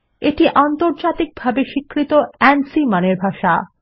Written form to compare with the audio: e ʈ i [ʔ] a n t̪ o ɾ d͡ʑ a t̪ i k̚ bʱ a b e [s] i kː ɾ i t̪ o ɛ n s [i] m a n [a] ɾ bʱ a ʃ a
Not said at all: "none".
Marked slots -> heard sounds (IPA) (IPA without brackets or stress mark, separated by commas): ʔ, ʃ, i, e